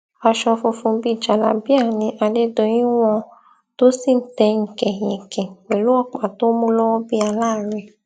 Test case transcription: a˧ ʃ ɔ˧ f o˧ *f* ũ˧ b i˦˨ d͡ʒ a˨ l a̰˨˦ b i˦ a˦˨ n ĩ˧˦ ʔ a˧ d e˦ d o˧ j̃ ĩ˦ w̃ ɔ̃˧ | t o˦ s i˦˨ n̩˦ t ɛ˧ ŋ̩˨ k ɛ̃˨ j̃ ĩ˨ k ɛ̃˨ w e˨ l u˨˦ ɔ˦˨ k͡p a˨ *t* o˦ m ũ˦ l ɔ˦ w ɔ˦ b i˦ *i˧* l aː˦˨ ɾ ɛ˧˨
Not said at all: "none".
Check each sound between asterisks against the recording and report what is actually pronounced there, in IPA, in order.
f, t, a˧

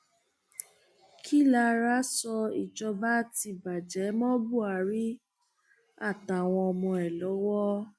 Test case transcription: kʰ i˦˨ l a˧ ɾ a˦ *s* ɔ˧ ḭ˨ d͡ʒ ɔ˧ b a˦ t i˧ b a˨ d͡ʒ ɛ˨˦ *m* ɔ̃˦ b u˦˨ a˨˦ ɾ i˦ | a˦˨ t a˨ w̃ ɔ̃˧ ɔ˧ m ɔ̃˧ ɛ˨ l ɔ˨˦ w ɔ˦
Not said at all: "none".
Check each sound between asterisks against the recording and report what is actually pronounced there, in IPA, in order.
s, m

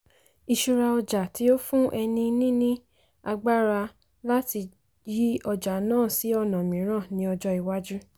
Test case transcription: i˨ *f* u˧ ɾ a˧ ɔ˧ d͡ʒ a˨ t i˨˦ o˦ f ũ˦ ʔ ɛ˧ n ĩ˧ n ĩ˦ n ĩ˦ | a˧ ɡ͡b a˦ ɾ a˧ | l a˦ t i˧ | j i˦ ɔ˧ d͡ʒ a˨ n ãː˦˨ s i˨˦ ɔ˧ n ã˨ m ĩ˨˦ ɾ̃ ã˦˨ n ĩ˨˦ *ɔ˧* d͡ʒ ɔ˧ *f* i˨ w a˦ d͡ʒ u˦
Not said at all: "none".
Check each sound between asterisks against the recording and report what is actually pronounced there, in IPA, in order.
ʃ, ɔ˧, none

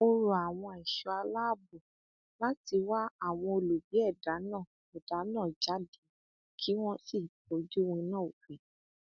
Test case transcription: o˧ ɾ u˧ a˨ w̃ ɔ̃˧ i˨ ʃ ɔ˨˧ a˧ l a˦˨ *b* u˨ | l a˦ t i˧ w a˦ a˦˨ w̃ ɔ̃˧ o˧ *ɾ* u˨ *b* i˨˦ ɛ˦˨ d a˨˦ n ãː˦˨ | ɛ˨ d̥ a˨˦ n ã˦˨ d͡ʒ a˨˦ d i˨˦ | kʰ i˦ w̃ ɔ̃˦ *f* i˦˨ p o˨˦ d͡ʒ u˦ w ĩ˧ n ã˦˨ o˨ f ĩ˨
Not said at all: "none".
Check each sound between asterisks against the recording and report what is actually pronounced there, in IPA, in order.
b, l, b, s

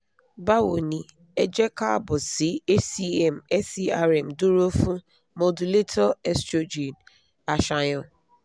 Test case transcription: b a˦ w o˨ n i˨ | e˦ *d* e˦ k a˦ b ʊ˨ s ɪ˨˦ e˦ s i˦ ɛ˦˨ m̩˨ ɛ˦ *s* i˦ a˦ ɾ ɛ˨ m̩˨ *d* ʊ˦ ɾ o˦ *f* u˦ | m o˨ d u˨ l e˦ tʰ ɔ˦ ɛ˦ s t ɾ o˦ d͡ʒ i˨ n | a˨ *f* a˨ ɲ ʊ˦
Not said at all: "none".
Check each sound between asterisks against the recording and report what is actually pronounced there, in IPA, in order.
d͡ʒ, s, d, f, ʃ

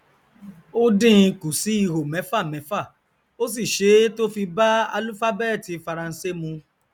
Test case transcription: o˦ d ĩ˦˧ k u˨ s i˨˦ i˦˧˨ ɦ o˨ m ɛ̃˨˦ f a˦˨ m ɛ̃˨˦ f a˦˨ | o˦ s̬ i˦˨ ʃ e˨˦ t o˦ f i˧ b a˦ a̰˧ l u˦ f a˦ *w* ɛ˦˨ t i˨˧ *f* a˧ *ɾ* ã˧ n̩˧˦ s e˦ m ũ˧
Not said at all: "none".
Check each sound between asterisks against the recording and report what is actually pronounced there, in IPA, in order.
b, f, ɾ

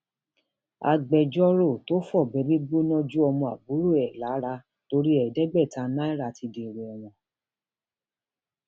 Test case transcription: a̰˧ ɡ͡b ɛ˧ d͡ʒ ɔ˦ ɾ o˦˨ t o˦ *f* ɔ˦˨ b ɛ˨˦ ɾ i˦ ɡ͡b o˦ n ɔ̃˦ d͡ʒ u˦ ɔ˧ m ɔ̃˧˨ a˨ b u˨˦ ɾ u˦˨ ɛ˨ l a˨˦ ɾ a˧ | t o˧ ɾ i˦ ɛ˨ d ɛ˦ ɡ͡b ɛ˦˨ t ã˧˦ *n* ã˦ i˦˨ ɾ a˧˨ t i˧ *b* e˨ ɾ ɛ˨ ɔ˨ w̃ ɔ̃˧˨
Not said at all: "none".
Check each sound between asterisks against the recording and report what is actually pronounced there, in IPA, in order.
f, n, d

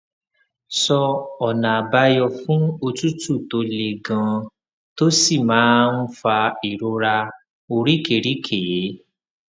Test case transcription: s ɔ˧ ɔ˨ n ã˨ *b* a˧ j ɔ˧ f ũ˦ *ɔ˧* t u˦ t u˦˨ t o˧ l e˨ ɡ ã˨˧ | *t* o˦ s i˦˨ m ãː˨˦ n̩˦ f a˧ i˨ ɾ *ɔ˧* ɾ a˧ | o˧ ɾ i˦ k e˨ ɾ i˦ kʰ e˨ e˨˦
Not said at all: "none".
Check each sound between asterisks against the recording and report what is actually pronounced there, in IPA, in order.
b, o˧, t, o˧

